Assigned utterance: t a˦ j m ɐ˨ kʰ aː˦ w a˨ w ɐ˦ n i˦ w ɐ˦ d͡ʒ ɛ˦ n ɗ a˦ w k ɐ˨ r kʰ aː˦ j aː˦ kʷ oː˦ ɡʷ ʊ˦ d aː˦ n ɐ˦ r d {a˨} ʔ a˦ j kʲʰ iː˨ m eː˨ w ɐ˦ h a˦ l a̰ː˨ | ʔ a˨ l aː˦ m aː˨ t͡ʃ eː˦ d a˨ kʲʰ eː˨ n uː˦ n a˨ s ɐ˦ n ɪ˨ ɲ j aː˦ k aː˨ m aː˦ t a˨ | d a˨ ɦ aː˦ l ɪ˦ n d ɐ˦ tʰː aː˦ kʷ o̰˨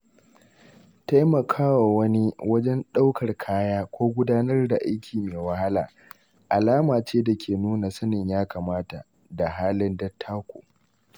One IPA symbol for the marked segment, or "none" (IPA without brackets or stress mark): a˨